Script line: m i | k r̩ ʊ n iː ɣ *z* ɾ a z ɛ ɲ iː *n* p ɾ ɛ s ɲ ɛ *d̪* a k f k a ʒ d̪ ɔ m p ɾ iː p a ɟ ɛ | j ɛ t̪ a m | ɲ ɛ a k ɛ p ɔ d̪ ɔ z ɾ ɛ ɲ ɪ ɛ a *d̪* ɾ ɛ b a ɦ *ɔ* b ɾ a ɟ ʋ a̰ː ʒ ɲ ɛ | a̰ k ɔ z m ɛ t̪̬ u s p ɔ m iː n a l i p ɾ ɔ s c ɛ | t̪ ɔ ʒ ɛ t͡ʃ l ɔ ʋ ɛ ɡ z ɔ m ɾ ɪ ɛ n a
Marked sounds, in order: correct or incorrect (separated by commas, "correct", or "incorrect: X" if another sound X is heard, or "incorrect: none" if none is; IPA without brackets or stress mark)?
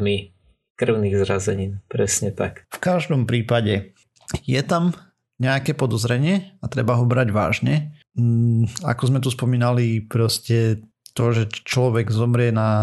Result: correct, correct, incorrect: t̪, incorrect: t̪, correct